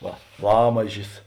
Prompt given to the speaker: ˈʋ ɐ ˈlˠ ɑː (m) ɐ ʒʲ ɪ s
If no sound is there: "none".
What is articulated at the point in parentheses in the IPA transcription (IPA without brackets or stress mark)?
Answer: m